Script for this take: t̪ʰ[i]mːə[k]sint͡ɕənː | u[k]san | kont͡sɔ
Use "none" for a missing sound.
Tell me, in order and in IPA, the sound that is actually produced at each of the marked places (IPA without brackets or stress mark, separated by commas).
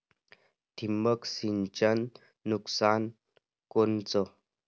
i, k, k